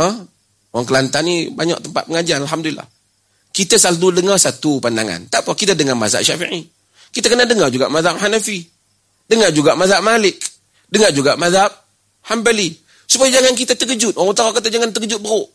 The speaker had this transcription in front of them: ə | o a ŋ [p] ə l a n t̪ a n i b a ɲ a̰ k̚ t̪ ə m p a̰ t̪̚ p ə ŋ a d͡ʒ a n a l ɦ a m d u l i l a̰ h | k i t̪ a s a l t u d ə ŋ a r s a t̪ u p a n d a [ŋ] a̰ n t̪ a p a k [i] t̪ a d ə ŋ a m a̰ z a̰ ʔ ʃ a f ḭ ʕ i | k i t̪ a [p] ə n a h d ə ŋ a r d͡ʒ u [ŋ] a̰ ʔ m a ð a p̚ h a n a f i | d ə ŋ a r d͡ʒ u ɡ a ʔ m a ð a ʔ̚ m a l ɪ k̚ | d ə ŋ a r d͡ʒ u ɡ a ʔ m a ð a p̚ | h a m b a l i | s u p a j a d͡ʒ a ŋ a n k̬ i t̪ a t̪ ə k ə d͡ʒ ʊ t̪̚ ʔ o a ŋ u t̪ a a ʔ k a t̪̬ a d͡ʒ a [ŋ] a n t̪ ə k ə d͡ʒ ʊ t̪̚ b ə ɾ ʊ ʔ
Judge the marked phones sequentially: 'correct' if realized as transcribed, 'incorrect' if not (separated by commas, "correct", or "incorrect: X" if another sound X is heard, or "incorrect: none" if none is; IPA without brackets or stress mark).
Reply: incorrect: k, correct, correct, incorrect: k, incorrect: ɡ, correct